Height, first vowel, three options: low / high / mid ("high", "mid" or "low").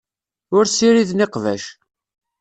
high